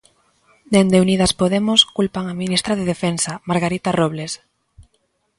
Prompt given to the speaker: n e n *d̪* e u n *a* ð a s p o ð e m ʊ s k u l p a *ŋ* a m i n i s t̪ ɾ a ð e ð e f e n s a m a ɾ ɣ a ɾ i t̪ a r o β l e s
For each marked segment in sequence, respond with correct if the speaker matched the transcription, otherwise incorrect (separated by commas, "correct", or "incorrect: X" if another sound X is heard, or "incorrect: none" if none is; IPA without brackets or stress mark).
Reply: correct, incorrect: i, correct